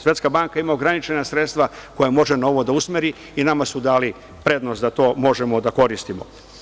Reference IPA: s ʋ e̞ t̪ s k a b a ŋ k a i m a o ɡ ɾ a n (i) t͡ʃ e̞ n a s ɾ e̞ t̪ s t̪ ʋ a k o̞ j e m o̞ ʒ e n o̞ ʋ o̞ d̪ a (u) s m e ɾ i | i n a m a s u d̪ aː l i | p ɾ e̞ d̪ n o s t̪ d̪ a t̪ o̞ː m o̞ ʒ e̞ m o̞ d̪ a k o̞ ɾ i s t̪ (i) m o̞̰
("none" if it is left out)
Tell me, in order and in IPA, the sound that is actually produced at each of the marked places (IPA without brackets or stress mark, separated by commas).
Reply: i, u, i